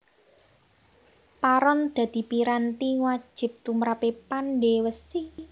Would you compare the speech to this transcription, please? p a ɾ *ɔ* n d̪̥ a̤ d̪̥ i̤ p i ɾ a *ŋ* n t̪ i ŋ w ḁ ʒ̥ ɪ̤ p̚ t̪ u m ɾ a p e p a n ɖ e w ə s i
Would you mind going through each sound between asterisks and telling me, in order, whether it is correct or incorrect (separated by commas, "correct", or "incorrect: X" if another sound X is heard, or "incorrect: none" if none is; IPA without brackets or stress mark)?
correct, incorrect: none